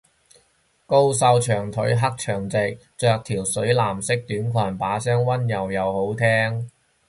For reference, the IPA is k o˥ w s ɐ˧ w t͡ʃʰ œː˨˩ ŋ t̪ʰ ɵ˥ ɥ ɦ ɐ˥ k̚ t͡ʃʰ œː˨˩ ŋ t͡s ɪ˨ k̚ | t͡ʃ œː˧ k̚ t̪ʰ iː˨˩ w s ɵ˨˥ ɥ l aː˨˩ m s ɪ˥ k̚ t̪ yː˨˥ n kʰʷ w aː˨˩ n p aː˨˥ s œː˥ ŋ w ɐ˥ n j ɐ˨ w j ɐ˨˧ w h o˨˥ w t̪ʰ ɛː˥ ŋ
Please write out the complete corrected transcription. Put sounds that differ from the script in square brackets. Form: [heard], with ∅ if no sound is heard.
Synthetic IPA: k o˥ w s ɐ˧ w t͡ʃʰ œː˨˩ ŋ t̪ʰ [ɵ˨˥] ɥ ɦ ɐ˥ k̚ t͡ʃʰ œː˨˩ ŋ t͡s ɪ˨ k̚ | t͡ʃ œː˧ k̚ t̪ʰ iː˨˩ w s ɵ˨˥ ɥ l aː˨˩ m s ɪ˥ k̚ t̪ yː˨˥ n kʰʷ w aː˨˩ n p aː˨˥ s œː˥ ŋ w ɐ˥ n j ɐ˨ w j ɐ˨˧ w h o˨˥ w t̪ʰ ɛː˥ ŋ